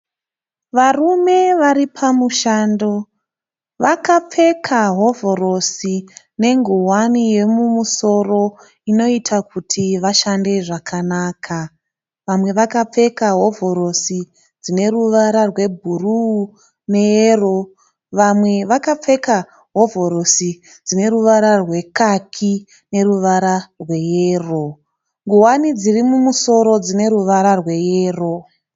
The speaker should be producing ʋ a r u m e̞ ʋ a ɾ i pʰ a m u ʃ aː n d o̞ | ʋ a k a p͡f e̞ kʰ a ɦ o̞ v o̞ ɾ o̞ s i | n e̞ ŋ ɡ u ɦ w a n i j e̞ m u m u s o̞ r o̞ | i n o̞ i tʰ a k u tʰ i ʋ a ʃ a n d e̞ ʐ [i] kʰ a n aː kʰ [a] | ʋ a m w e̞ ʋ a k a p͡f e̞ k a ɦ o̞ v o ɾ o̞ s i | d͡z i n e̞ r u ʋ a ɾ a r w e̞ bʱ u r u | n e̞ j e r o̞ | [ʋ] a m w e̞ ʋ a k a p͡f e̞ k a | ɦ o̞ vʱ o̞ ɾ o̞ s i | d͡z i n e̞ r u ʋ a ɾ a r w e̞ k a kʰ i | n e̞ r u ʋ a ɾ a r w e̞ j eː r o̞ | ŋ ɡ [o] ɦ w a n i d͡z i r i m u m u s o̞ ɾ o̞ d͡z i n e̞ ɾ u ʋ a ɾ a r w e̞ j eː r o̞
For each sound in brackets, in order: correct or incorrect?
incorrect: a, correct, correct, incorrect: u

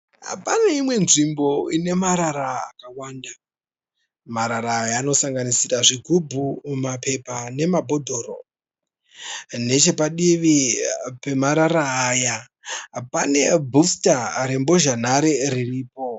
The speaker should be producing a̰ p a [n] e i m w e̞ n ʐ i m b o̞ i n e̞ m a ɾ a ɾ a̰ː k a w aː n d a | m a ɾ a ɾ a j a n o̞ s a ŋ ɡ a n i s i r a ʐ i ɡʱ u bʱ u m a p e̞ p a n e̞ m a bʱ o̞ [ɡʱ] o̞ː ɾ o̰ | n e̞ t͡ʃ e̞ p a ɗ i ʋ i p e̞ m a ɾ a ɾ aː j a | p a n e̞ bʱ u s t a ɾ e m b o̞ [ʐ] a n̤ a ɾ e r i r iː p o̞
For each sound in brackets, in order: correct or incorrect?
correct, incorrect: dʱ, incorrect: ʒ

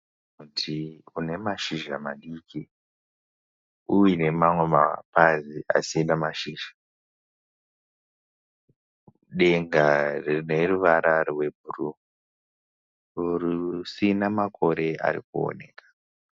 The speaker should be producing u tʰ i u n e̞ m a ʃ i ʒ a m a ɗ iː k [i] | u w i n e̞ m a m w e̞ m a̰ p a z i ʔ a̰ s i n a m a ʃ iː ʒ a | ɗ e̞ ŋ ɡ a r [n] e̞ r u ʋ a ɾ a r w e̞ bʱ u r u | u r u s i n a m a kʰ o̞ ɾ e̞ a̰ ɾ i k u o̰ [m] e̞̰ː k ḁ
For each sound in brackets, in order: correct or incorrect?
correct, correct, incorrect: n

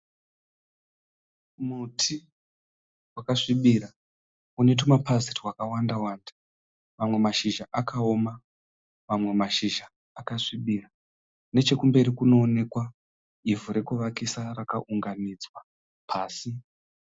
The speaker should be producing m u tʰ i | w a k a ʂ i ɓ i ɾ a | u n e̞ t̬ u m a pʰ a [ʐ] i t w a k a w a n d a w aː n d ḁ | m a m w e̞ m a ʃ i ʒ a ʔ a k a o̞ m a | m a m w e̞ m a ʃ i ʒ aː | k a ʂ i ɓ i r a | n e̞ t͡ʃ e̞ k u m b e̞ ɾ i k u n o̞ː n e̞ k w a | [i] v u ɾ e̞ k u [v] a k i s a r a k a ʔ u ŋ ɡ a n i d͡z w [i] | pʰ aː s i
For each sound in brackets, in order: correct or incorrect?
incorrect: z, correct, incorrect: ʋ, incorrect: a

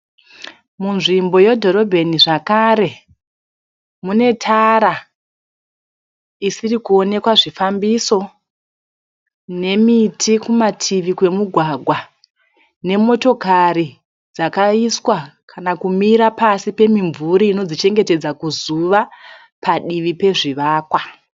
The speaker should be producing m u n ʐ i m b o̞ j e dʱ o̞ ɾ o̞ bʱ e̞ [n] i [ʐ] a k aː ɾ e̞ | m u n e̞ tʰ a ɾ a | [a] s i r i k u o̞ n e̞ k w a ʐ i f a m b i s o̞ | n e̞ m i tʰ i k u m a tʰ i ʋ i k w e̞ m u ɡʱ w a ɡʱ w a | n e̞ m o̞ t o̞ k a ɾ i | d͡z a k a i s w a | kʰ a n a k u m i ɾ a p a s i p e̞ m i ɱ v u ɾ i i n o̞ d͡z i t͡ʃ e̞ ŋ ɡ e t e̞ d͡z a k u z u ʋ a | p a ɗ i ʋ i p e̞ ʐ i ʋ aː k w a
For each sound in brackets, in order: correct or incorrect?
correct, correct, incorrect: i

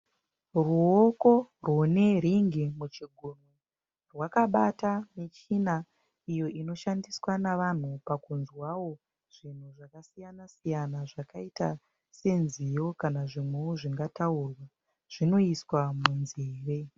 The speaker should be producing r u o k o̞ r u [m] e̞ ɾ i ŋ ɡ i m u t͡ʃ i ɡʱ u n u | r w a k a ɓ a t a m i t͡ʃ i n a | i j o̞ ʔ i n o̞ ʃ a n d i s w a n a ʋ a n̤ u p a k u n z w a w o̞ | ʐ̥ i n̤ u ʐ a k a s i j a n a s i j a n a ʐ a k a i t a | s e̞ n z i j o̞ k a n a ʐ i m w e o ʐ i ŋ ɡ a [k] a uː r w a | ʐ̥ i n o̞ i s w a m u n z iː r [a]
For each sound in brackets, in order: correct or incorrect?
incorrect: n, incorrect: t, incorrect: e

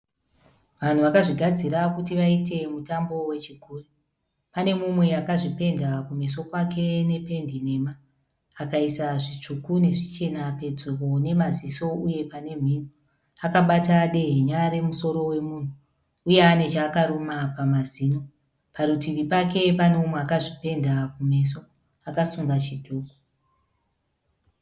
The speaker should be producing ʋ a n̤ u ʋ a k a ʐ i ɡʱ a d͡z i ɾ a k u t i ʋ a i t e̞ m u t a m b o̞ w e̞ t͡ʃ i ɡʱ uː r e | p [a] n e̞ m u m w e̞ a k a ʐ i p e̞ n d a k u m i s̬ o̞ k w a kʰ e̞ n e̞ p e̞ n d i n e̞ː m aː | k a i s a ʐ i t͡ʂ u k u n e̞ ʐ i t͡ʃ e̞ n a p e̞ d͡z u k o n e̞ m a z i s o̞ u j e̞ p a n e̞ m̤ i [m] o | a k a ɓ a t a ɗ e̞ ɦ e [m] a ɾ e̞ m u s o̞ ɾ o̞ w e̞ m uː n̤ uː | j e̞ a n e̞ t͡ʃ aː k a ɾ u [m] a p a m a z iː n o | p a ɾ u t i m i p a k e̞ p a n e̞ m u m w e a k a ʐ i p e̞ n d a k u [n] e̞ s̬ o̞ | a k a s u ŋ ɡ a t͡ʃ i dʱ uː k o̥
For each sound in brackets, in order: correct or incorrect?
correct, incorrect: n, incorrect: ɲ, correct, incorrect: m

